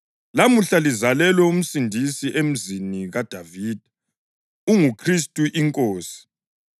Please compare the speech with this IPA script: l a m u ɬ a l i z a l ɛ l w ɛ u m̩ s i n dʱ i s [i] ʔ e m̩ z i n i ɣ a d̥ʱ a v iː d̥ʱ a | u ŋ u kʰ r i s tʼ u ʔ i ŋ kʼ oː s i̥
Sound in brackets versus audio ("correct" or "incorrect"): correct